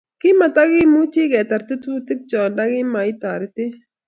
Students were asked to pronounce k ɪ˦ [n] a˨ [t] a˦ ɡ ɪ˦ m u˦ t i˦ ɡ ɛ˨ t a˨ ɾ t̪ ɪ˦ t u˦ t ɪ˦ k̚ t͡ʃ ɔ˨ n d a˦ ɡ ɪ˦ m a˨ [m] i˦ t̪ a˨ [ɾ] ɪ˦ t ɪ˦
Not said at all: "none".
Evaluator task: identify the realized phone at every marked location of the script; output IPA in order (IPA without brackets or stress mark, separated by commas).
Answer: m, t, none, ɾ